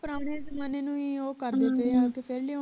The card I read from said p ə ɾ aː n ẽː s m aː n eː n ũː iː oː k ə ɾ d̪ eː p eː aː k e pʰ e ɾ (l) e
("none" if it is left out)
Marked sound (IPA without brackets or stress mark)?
l